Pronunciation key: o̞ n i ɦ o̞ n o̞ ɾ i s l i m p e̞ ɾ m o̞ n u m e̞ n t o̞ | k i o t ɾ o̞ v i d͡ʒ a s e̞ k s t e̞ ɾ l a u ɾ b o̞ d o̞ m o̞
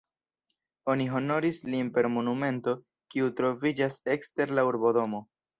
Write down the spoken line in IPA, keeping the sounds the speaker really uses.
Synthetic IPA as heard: o̞ n i ɦ o̞ n o̞ ɾ i s l i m p e̞ ɾ m o̞ n u m e̞ n t o̞ | k i u t ɾ o̞ v i d͡ʒ a s e̞ k s t e̞ ɾ l a u ɾ b o̞ d o̞ m o̞